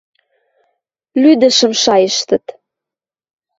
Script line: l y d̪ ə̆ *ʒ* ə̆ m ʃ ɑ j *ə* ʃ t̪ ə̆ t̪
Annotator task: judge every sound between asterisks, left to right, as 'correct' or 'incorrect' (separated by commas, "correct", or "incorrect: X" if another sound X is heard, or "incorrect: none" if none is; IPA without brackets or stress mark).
incorrect: ʃ, correct